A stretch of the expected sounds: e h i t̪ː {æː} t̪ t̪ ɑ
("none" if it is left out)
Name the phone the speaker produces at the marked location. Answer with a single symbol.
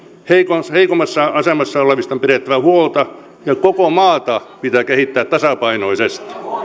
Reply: æː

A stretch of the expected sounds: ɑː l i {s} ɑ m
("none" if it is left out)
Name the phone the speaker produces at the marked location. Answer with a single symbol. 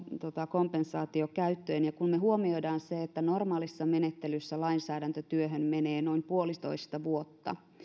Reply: sː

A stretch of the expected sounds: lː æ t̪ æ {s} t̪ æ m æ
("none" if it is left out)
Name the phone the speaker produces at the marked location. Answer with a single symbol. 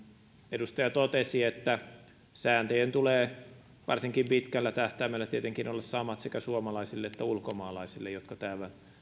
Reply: h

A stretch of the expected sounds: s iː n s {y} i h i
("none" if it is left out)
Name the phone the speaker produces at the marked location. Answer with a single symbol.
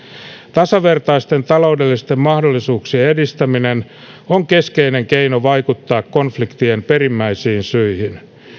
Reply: y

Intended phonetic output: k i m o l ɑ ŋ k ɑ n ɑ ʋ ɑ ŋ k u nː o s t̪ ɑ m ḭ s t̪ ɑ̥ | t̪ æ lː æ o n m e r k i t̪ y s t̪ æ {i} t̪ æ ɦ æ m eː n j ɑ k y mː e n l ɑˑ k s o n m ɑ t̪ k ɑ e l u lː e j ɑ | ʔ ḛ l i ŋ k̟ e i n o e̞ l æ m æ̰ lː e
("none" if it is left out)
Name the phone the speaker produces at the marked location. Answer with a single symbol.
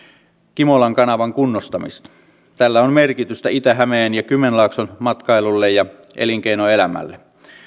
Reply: i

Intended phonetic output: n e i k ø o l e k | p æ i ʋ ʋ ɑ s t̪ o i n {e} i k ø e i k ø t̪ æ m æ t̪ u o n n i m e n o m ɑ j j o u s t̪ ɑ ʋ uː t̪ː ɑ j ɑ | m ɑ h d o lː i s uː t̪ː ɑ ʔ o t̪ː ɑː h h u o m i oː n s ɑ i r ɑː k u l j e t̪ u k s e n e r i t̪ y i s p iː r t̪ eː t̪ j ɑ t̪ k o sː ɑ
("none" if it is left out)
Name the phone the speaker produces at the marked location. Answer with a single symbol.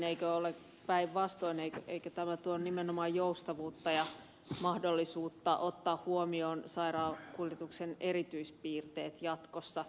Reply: e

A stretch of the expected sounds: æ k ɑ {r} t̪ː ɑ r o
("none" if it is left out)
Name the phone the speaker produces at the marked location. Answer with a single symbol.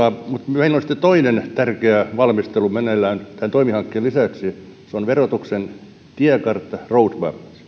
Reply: r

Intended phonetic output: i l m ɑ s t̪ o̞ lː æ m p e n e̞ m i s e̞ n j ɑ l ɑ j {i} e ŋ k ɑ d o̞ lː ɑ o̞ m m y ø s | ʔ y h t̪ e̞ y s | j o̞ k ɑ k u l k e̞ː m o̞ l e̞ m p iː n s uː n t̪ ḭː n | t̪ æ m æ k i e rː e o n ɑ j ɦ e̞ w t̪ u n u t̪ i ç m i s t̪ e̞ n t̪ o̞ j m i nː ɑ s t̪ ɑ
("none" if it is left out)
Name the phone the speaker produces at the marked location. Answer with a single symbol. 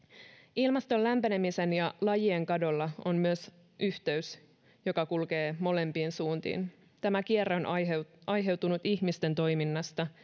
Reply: i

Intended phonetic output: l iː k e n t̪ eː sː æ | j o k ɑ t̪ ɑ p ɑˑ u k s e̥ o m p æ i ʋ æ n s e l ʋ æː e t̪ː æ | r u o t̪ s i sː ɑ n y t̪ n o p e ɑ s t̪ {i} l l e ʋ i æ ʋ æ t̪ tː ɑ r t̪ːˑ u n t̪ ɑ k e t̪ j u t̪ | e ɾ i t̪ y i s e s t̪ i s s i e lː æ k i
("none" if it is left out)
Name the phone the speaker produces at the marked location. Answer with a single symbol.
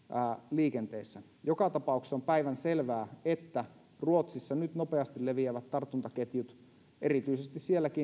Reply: i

